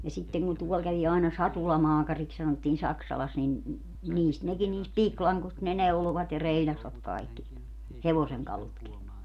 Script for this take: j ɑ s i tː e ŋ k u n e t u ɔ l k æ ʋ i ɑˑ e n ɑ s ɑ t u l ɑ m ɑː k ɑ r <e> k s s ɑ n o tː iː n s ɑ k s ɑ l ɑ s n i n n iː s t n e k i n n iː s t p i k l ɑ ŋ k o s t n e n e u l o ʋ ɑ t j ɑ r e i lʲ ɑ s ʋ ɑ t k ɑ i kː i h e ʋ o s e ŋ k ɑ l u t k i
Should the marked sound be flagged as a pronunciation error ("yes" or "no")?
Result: yes